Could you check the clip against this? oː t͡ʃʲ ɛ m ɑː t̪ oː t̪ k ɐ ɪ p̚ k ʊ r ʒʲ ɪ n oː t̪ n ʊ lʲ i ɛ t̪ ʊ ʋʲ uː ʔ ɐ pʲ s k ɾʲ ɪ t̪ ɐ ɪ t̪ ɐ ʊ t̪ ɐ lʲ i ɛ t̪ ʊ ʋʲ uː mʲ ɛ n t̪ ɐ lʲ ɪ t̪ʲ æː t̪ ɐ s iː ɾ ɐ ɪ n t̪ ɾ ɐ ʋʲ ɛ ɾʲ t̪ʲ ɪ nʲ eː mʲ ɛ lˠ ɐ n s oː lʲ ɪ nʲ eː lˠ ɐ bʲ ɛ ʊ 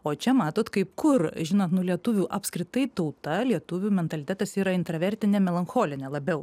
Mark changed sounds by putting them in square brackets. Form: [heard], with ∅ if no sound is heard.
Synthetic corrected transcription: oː t͡ʃʲ ɛ m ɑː t̪ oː t̪ k ɐ ɪ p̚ k ʊ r ʒʲ ɪ n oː t̪ n ʊ lʲ i ɛ t̪ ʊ ʋʲ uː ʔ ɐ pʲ s k ɾʲ ɪ t̪ ɐ ɪ t̪ ɐ ʊ t̪ ɐ lʲ i ɛ t̪ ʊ ʋʲ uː mʲ ɛ n t̪ ɐ lʲ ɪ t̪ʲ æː t̪ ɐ s iː ɾ ɐ ɪ n t̪ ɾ ɐ ʋʲ ɛ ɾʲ t̪ʲ ɪ nʲ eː mʲ ɛ lˠ ɐ n [x] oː lʲ ɪ nʲ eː lˠ ɐ bʲ ɛ ʊ

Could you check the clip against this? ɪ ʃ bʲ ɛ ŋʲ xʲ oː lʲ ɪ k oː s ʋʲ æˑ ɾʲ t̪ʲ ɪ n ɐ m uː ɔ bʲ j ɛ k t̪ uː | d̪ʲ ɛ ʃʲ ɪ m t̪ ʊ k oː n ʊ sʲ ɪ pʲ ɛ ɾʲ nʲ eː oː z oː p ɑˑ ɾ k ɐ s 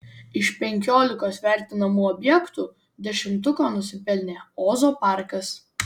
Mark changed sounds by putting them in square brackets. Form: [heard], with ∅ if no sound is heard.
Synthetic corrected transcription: ɪ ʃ [pʲ] ɛ ŋʲ [kʲ] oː lʲ ɪ k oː s ʋʲ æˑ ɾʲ t̪ʲ ɪ n ɐ m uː ɔ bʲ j ɛ k t̪ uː | d̪ʲ ɛ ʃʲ ɪ m t̪ ʊ k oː n ʊ sʲ ɪ pʲ ɛ [lʲ] nʲ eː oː z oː p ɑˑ ɾ k ɐ s

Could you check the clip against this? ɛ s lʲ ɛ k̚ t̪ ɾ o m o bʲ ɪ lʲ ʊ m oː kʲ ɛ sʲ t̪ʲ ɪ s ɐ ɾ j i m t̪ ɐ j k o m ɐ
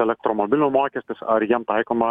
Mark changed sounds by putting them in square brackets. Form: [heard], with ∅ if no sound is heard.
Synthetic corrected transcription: ɛ [∅] lʲ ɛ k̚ t̪ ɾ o m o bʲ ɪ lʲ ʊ m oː kʲ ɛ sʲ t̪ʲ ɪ s ɐ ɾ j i m t̪ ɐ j k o m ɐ

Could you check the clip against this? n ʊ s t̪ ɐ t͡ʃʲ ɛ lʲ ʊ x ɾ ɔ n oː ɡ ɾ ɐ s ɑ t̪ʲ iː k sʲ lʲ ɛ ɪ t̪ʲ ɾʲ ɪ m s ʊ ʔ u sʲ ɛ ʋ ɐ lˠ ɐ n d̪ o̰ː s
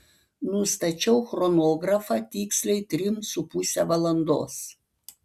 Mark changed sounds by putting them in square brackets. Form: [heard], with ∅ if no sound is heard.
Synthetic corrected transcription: n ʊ s t̪ ɐ t͡ʃʲ ɛ [∅] ʊ x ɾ ɔ n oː ɡ ɾ ɐ [f] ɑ t̪ʲ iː k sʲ lʲ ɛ ɪ t̪ʲ ɾʲ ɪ m s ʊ [p] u sʲ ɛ ʋ ɐ lˠ ɐ n d̪ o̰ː s

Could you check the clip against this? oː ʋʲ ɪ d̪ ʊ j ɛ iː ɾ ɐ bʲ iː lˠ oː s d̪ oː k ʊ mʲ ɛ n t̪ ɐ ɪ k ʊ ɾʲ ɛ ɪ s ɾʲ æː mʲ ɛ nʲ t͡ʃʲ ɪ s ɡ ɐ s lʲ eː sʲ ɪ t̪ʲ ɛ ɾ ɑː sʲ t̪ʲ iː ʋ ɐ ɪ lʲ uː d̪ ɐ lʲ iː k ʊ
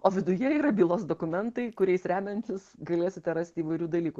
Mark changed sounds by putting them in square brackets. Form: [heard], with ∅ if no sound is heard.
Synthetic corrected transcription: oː ʋʲ ɪ d̪ ʊ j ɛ iː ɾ ɐ bʲ iː lˠ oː s d̪ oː k ʊ mʲ ɛ n t̪ ɐ ɪ k ʊ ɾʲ ɛ ɪ s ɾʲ æː mʲ ɛ nʲ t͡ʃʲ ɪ s ɡ ɐ [∅] lʲ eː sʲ ɪ t̪ʲ ɛ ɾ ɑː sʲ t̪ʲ iː ʋ ɐ ɪ [ɾʲ] uː d̪ ɐ lʲ iː k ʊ

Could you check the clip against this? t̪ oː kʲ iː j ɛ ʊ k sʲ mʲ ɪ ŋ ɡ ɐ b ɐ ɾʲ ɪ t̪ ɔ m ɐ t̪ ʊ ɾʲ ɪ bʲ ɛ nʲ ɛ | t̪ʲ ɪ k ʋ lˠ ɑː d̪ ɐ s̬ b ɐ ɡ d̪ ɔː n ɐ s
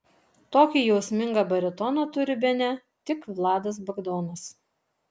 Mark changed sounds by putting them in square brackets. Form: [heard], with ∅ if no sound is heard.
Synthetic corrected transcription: t̪ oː kʲ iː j ɛ ʊ [∅] sʲ mʲ ɪ ŋ ɡ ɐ b ɐ ɾʲ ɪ t̪ ɔ [n] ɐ t̪ ʊ ɾʲ ɪ bʲ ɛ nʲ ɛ | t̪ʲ ɪ k ʋ lˠ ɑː d̪ ɐ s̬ b ɐ ɡ d̪ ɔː n ɐ s

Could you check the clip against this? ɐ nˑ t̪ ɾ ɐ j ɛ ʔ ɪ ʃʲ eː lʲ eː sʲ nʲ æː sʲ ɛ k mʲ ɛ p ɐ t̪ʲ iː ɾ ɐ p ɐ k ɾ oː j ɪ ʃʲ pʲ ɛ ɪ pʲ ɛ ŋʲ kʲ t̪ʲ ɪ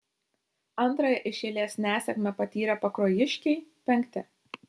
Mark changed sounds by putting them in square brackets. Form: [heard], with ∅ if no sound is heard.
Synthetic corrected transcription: ɐ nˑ t̪ ɾ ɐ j ɛ ʔ ɪ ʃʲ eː lʲ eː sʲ nʲ æː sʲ ɛ k mʲ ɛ p ɐ t̪ʲ iː ɾ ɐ p ɐ k ɾ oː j ɪ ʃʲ [kʲ] ɛ ɪ pʲ ɛ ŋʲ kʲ t̪ʲ ɪ

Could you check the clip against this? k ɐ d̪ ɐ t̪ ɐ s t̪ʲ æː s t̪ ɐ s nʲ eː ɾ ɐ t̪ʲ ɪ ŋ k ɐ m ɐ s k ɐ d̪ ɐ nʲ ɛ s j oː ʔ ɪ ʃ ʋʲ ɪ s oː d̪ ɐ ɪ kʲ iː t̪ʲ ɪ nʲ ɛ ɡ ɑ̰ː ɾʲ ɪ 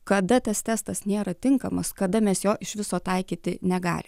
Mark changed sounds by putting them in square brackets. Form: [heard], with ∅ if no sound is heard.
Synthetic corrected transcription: k ɐ d̪ ɐ t̪ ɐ s t̪ʲ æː s t̪ ɐ s nʲ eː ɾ ɐ t̪ʲ ɪ ŋ k ɐ m ɐ s k ɐ d̪ ɐ [mʲ] ɛ s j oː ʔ ɪ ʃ ʋʲ ɪ s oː [t̪] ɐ ɪ kʲ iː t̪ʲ ɪ nʲ ɛ ɡ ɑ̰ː [lʲ] ɪ

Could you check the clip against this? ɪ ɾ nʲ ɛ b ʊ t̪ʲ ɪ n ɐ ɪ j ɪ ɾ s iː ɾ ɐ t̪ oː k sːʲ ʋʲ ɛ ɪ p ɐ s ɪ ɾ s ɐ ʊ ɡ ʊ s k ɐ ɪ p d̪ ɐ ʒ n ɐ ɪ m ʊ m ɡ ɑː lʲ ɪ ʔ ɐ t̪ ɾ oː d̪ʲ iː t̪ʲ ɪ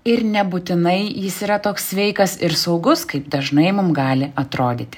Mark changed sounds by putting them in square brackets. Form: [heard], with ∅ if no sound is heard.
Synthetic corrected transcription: ɪ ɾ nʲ ɛ b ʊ t̪ʲ ɪ n ɐ ɪ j ɪ [∅] s iː ɾ ɐ t̪ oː k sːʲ ʋʲ ɛ ɪ [k] ɐ s ɪ ɾ s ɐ ʊ ɡ ʊ s k ɐ ɪ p d̪ ɐ ʒ n ɐ ɪ m ʊ m ɡ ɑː lʲ ɪ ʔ ɐ t̪ ɾ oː d̪ʲ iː t̪ʲ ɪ

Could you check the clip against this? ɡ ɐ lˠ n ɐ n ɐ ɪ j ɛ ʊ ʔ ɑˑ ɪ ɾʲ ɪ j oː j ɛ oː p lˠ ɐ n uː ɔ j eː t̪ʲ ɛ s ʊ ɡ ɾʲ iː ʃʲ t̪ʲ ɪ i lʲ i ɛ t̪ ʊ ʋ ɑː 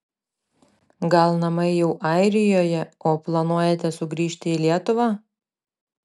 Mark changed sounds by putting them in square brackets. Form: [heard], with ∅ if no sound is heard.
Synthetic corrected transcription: ɡ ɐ lˠ n ɐ [m] ɐ ɪ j ɛ ʊ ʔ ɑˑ ɪ ɾʲ ɪ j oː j ɛ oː p lˠ ɐ n [u] ɔ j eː t̪ʲ ɛ s ʊ ɡ ɾʲ iː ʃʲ t̪ʲ ɪ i lʲ i ɛ t̪ ʊ ʋ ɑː

